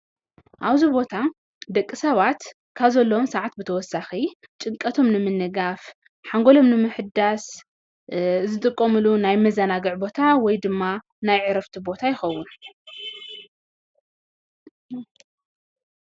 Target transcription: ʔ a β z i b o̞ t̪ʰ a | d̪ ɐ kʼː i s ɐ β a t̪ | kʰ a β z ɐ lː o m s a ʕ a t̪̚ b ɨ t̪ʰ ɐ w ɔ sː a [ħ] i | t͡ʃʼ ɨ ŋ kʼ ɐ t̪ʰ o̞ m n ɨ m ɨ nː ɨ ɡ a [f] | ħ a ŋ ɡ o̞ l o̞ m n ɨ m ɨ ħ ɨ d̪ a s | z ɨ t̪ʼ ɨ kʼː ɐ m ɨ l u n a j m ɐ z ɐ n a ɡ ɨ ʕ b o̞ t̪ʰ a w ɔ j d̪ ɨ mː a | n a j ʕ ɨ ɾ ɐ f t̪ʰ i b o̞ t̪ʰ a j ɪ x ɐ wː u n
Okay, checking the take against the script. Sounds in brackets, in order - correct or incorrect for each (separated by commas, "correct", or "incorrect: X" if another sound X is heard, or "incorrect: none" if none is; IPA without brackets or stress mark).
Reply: incorrect: x, correct